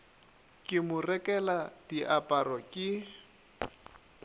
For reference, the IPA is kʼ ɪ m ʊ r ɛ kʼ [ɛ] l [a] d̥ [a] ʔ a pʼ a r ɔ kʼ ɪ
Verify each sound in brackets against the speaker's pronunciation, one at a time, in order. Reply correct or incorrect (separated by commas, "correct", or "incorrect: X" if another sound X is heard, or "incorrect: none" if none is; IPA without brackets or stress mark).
correct, correct, incorrect: i